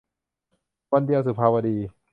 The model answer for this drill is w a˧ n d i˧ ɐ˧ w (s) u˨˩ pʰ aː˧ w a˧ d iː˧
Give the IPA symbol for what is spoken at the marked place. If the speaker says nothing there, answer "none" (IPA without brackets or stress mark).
s